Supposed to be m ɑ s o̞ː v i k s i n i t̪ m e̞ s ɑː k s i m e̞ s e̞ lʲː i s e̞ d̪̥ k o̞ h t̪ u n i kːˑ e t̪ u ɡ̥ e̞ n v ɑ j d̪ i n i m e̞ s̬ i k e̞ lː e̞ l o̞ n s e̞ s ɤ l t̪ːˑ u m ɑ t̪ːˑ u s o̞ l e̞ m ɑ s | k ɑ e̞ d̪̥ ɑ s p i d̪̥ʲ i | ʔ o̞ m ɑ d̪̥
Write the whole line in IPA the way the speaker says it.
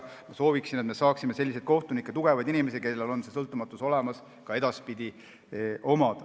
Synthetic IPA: m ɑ s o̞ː v i k s i n e t̪ m e̞ s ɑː k s i m e̞ s e̞ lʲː i s e̞ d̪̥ k o̞ h t̪ u n i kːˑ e t̪ u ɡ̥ e̞ v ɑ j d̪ i n i m e̞ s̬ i k e̞ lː e̞ l o̞ n s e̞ s ɤ l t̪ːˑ u m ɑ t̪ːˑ u s o̞ l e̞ m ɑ s | k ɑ e̞ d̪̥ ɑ s p i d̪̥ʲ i | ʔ o̞ m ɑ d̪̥